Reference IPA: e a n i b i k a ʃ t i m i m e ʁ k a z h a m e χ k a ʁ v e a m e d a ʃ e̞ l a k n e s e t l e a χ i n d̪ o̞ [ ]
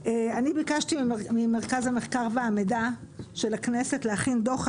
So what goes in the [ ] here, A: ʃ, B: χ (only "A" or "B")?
B